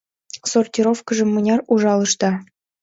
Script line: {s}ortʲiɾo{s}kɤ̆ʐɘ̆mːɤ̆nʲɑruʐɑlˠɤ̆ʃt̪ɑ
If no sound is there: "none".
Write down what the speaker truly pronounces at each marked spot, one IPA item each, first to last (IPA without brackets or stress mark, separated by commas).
s, f